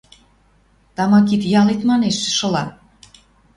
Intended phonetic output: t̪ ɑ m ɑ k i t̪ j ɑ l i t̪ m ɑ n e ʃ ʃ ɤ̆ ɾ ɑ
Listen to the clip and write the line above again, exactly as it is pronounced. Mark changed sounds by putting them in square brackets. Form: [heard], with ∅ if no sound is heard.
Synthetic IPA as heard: t̪ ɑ m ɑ k i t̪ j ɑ l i t̪ m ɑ n e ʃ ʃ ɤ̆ [l] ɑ